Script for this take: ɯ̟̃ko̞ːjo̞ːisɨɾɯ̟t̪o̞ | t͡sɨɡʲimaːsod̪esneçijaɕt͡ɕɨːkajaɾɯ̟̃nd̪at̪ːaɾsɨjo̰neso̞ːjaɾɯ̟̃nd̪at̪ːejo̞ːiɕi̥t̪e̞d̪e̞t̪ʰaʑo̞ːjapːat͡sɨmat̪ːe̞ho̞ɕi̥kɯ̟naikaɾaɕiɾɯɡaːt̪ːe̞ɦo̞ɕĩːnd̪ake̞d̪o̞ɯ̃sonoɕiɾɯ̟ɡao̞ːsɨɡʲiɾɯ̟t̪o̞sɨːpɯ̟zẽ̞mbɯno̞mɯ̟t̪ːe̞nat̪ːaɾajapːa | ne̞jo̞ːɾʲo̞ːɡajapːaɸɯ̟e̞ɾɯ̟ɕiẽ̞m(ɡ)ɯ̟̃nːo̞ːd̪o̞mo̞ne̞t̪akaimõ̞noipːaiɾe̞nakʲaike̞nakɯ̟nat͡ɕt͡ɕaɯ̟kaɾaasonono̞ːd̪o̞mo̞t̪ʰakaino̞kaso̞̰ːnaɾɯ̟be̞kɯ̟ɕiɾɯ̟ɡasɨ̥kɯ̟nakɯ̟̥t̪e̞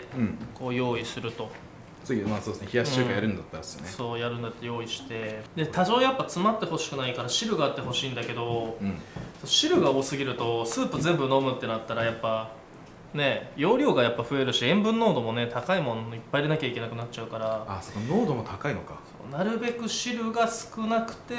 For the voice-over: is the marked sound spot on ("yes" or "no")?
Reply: no